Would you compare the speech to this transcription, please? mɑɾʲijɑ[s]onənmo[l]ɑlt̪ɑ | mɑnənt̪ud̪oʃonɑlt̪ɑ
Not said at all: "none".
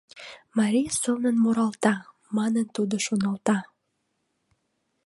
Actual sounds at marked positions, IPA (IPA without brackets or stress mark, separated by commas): s, ɾ